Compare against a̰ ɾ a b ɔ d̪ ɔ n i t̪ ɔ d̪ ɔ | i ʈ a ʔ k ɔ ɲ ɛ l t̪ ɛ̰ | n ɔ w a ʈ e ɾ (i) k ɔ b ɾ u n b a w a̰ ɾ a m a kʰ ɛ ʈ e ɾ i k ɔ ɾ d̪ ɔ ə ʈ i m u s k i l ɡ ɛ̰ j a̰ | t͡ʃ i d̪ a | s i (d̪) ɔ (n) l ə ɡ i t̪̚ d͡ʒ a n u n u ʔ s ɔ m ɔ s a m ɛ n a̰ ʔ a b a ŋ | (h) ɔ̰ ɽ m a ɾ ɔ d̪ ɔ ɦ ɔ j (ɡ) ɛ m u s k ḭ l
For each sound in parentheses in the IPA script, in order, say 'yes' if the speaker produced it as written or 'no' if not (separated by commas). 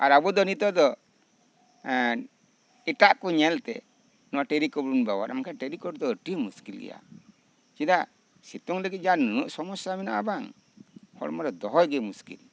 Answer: yes, no, no, yes, yes